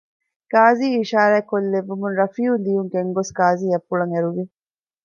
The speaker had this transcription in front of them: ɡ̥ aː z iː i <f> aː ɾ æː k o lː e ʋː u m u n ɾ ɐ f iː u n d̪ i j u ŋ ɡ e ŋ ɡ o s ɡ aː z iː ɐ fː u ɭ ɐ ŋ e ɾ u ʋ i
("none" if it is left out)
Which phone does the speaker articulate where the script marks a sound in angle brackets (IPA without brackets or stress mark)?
ʃ